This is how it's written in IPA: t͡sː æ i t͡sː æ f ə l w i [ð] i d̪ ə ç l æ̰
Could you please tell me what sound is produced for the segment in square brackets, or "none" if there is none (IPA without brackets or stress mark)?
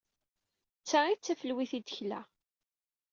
θ